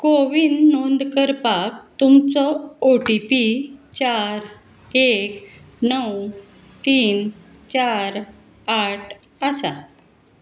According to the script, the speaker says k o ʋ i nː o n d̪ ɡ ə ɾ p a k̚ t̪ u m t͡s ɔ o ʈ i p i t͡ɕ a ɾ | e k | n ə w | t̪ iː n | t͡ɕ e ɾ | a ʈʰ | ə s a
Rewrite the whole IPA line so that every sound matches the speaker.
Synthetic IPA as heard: k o ʋ i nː o n d̪ k ə ɾ p a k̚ t̪ u m t͡s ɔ o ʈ i p i t͡ɕ a ɾ | e k | n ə w | t̪ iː n | t͡ɕ a ɾ | a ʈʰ | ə s a